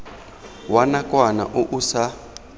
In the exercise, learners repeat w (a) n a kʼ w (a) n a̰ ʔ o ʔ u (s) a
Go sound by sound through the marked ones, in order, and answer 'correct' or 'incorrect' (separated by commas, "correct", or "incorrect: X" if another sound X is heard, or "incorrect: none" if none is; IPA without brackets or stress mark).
correct, correct, correct